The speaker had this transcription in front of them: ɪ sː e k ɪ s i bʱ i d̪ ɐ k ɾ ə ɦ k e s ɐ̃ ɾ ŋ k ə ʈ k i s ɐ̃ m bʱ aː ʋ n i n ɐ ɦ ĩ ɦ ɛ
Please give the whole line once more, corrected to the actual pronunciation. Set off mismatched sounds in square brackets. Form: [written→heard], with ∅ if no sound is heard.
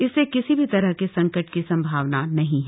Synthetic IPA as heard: ɪ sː e k ɪ s i bʱ i [d̪→t̪] ɐ [k→∅] ɾ ə ɦ k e s ɐ̃ [ɾ→∅] ŋ k ə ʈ k i s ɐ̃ m bʱ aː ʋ n [i→a] n ɐ ɦ ĩ ɦ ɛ